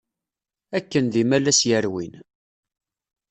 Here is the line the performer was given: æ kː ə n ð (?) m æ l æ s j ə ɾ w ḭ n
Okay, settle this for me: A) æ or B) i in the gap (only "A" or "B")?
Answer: B